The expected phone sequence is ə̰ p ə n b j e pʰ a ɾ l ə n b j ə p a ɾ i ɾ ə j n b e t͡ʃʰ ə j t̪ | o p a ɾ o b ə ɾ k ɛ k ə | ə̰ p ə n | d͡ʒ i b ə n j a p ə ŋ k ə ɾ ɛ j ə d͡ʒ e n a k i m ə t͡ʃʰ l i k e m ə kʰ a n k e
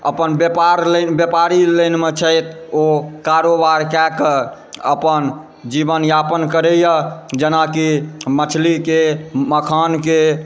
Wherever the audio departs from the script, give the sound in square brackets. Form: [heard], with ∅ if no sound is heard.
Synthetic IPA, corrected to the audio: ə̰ p ə n b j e [p] a ɾ l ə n b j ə p a ɾ i [l] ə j n [m] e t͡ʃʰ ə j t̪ | o [k] a ɾ o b [a] ɾ k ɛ k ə | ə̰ p ə n | d͡ʒ i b ə n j a p ə [n] k ə ɾ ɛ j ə d͡ʒ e n a k i m ə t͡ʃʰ l i k e m ə kʰ a n k e